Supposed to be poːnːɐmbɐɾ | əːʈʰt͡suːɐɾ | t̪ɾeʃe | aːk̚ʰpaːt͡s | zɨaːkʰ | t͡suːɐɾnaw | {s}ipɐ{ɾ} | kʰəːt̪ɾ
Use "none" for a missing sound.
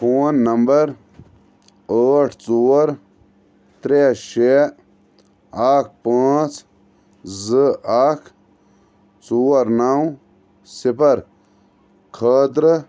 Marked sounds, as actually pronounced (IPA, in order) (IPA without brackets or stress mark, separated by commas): s, ɾ